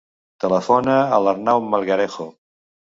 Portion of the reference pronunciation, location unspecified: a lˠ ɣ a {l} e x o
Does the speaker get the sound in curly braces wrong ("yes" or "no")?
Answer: yes